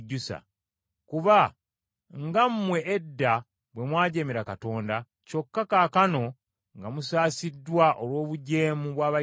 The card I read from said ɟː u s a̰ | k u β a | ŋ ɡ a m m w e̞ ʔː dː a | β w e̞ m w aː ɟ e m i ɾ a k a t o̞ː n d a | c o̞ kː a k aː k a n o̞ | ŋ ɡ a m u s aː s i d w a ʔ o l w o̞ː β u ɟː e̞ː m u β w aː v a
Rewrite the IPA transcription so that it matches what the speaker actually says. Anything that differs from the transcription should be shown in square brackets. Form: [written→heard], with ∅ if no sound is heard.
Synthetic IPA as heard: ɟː u s a̰ | k u β a | ŋ ɡ a m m w e̞ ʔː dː a | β w e̞ m w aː ɟ e m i ɾ a k a t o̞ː n d a | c o̞ kː a k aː k a n o̞ | ŋ ɡ a m u s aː s i d w a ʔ o l w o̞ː β u [ɟː→ɟ] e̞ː m u β w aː [v→β] a